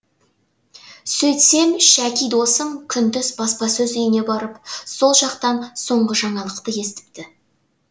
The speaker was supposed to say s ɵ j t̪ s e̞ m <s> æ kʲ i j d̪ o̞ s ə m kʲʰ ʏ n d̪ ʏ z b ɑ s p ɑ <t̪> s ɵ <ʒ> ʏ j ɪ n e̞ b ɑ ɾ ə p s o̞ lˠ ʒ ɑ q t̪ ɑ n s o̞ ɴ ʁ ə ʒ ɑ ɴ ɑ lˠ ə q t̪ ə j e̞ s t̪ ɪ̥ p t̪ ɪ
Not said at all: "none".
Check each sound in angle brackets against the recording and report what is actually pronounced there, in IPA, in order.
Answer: ʃ, none, z

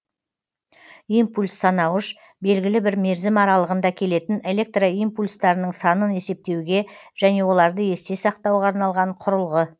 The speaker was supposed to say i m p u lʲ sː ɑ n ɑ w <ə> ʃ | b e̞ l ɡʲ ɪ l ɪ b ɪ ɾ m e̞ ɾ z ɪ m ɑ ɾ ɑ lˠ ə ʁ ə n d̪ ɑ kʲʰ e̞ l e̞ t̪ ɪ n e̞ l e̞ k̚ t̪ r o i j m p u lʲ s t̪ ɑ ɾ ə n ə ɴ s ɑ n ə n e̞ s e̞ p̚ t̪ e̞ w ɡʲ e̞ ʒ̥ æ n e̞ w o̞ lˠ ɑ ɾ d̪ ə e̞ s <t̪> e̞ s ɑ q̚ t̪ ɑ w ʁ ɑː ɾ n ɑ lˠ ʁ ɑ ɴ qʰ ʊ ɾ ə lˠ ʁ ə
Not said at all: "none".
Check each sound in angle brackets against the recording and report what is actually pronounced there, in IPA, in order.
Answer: ə, t̪

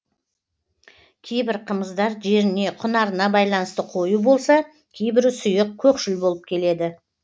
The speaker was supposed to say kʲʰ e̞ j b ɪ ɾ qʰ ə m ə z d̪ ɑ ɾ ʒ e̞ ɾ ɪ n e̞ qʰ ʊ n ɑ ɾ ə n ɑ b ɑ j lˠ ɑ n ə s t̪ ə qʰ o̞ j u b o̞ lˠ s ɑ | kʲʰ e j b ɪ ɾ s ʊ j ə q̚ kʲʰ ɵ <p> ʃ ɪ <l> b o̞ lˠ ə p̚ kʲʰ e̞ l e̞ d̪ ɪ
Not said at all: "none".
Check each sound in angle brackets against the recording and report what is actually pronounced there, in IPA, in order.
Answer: k, l

